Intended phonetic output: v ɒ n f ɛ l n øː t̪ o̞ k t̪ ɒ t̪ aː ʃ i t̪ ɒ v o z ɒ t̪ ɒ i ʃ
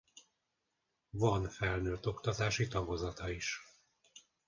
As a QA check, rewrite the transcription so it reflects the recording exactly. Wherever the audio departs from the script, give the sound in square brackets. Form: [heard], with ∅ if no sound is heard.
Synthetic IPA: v ɒ n f ɛ l n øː t̪ o̞ k t̪ ɒ t̪ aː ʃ i t̪ ɒ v o z ɒ t̪ ɒ i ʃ